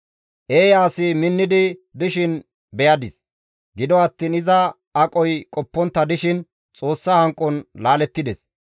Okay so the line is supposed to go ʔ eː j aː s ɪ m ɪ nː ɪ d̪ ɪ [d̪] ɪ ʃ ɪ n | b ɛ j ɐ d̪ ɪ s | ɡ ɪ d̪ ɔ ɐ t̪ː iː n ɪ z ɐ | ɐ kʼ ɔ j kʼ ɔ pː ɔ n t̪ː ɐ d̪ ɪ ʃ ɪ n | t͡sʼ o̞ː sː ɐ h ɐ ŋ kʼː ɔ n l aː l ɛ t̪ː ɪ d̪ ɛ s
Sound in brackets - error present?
no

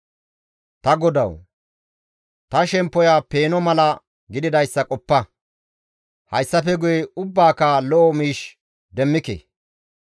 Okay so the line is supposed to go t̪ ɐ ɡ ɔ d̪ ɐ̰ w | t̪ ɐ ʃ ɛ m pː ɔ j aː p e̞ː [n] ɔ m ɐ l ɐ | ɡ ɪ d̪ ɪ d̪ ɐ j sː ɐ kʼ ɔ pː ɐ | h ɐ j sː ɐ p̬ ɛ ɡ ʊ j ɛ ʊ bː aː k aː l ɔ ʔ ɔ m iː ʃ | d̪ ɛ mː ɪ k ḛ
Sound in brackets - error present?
no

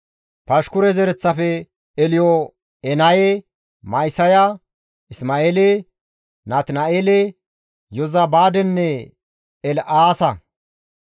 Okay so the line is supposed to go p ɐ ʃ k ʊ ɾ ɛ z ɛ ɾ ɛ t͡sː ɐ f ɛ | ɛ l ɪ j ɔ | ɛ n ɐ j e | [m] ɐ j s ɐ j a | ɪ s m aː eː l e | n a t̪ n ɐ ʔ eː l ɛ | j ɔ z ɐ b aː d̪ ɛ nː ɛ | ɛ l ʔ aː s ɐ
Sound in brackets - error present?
no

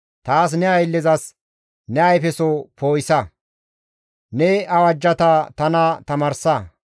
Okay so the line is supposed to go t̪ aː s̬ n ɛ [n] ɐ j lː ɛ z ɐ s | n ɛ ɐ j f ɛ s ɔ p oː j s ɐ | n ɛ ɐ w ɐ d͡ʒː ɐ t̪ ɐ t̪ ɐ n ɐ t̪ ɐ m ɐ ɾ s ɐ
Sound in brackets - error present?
yes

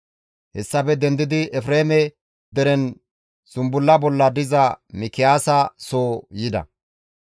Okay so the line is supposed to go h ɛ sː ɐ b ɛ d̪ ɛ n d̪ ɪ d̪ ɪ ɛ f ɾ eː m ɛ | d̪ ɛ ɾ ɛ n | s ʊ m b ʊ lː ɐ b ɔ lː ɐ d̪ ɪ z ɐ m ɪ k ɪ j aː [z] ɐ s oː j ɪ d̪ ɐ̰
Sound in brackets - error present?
yes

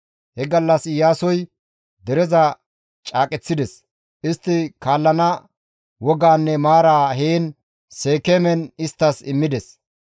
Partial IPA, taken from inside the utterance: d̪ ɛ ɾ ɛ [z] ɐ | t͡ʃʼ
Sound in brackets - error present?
no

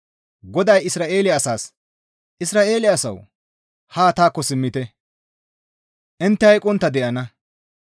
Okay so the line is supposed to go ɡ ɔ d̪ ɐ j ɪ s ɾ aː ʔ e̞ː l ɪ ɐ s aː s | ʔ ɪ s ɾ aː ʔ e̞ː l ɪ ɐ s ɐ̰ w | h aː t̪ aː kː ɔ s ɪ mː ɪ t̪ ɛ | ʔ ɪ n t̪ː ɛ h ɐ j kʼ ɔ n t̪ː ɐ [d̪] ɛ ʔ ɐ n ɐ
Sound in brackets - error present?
no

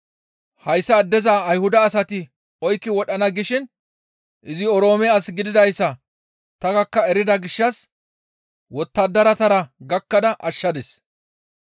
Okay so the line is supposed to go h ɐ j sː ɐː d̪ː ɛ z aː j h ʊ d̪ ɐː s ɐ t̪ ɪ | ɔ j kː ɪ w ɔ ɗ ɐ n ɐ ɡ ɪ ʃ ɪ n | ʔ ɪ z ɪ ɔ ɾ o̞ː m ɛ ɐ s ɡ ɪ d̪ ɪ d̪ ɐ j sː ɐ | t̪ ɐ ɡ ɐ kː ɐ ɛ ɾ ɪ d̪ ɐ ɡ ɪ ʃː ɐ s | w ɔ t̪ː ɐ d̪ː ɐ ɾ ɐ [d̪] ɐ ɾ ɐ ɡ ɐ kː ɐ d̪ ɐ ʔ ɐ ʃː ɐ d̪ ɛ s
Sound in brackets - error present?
yes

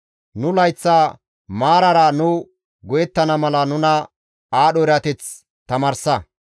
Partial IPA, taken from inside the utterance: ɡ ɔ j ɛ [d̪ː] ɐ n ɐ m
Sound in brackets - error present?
yes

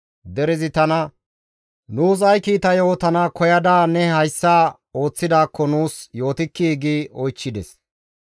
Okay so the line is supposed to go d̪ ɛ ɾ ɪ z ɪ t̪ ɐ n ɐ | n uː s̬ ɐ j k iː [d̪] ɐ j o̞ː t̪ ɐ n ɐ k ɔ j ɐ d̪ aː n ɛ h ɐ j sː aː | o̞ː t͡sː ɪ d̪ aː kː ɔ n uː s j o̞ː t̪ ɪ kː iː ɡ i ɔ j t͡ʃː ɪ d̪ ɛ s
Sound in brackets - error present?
yes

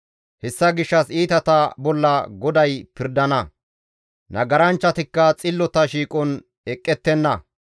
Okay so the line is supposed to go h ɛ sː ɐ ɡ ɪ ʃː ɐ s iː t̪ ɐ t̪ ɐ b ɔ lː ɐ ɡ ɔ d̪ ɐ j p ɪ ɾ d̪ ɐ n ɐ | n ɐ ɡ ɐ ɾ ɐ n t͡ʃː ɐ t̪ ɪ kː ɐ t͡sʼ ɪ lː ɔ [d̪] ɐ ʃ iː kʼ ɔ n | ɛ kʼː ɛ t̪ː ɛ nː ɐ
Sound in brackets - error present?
yes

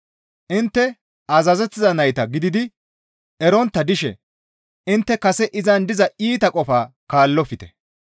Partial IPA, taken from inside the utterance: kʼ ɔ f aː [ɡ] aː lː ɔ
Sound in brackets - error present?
yes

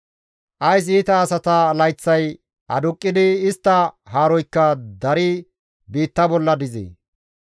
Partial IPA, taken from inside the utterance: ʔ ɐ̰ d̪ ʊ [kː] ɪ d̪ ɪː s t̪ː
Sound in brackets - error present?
yes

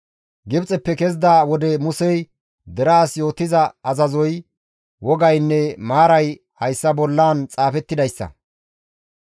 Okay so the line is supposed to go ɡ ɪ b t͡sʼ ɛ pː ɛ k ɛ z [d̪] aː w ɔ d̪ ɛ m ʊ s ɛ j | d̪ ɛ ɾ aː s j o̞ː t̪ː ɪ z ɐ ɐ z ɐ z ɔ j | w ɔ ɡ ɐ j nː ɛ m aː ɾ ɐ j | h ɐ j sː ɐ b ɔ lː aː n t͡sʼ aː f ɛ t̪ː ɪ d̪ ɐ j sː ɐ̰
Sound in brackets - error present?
no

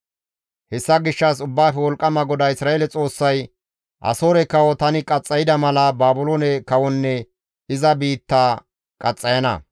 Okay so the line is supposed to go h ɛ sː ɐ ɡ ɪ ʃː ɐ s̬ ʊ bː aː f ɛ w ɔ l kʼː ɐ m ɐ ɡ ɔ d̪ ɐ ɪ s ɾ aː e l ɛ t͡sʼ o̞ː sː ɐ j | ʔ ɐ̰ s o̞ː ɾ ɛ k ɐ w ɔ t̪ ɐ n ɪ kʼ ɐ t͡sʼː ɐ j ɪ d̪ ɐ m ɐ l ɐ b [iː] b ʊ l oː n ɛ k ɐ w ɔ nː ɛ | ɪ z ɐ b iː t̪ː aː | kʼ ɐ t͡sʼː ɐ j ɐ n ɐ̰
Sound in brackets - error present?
yes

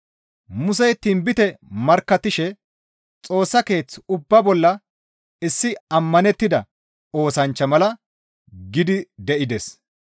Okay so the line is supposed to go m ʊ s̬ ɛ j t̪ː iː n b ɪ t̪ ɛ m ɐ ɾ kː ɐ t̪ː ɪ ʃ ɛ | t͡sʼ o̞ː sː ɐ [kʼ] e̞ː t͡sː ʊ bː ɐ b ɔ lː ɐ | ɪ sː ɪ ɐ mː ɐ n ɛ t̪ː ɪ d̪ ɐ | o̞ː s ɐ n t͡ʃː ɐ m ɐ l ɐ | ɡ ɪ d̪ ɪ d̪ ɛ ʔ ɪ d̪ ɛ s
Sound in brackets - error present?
yes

